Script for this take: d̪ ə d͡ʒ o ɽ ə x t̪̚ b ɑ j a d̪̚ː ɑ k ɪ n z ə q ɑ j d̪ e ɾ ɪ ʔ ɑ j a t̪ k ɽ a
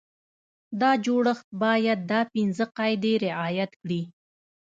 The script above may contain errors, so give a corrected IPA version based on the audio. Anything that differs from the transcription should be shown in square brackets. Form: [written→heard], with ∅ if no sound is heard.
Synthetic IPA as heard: d̪ [ə→ɑ] d͡ʒ o ɽ ə x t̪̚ b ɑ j a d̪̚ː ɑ [k→p] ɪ n z ə q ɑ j d̪ e ɾ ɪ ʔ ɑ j a t̪ k ɽ [a→i]